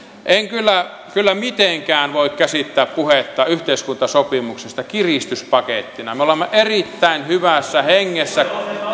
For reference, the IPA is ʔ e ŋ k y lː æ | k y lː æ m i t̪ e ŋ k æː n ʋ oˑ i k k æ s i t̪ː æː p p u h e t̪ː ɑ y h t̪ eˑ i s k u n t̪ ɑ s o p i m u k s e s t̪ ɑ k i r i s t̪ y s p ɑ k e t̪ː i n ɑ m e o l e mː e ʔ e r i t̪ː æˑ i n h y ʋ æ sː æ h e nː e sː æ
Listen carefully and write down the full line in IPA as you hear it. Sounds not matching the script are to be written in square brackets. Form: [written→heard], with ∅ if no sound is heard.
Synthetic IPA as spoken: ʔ e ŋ k y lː æ | k y lː æ m i t̪ e ŋ k æː n ʋ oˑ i k k æ s i t̪ː æː p p u h e t̪ː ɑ y h t̪ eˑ i s k u n t̪ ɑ s o p i m u k s e s t̪ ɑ k i r i s t̪ y s p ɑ k e t̪ː i n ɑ m e o l e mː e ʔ e r i t̪ː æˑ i n h y ʋ æ sː æ h e [nː→ŋː] e sː æ